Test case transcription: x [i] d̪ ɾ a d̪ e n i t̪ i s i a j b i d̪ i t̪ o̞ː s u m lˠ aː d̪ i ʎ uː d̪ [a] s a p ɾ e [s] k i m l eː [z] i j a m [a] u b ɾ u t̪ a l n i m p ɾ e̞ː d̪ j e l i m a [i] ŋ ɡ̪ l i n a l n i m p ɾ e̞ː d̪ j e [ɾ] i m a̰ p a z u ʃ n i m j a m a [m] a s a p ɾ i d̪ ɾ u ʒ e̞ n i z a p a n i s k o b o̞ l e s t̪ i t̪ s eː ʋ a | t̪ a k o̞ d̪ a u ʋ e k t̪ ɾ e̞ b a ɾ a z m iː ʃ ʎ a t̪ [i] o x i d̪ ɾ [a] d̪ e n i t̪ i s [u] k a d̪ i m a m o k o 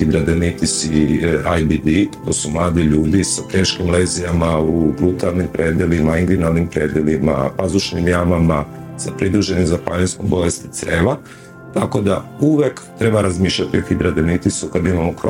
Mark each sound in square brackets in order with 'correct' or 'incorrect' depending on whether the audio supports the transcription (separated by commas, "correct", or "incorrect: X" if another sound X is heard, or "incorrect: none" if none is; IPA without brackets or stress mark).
correct, incorrect: i, incorrect: ʃ, correct, correct, correct, incorrect: l, correct, correct, correct, correct